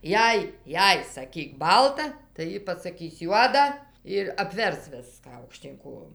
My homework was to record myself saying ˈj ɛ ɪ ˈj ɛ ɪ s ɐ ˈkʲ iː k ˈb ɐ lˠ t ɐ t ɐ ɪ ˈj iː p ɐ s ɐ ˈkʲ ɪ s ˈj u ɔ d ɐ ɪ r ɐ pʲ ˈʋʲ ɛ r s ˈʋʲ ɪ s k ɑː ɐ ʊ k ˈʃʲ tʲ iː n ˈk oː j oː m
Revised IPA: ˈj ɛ ɪ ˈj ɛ ɪ s ɐ ˈkʲ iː k ˈb ɐ lˠ t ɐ t ɐ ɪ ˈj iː p ɐ s ɐ ˈkʲ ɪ s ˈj u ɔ d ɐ ɪ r ɐ pʲ ˈʋʲ ɛ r s ˈʋʲ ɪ s k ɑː ɐ ʊ k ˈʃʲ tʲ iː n ˈk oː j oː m